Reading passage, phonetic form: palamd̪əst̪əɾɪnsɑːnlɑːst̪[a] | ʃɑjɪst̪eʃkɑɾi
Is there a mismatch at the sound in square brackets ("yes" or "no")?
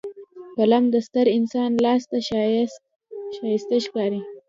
no